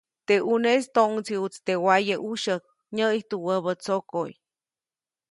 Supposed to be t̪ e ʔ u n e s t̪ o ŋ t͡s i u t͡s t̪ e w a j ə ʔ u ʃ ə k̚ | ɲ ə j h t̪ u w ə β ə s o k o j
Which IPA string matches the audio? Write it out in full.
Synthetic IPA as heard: t̪ e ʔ u n e s t̪ o ŋ t͡s i u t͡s t̪ e w a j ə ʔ u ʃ ə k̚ | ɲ ə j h t̪ u w ə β ə t͡s o k o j